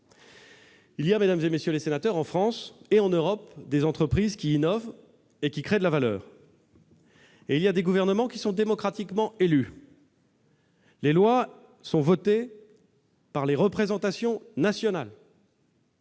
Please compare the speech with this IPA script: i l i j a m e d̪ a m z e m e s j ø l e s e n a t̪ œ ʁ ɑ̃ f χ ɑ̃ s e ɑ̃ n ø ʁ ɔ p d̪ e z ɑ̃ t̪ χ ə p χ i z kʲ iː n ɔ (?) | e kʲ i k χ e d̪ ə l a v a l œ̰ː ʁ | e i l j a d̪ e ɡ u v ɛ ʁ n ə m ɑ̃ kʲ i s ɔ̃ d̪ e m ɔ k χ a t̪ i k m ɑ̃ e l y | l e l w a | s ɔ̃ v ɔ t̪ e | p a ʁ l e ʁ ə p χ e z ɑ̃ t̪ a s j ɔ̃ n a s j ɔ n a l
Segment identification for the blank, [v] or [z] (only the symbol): v